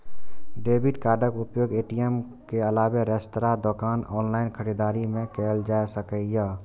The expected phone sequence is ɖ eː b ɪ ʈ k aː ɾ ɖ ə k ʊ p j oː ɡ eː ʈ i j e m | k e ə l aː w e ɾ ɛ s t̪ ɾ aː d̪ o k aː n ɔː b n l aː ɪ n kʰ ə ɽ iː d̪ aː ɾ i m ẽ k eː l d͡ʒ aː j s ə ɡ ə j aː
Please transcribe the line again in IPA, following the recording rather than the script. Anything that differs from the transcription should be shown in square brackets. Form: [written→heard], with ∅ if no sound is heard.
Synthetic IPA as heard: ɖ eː b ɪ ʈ k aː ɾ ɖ ə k ʊ p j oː ɡ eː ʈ i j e m | k e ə l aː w e ɾ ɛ s t̪ ɾ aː d̪ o k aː n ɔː [b→∅] n l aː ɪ n kʰ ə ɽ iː d̪ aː ɾ i m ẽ k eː l d͡ʒ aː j s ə [ɡ→k] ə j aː